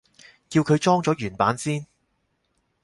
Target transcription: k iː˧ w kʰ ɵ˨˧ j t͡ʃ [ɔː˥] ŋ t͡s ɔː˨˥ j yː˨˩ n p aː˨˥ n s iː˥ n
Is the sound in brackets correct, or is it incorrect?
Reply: correct